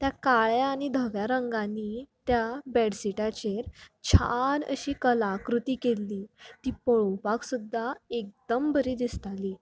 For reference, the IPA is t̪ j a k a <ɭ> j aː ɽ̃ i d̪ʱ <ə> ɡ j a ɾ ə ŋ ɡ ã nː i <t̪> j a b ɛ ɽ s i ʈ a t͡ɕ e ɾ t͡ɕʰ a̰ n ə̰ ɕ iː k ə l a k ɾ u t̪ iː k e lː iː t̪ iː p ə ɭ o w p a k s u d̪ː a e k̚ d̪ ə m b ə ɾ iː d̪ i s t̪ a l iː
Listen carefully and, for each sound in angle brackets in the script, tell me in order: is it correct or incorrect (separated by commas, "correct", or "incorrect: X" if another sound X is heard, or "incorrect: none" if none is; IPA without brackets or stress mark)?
correct, correct, correct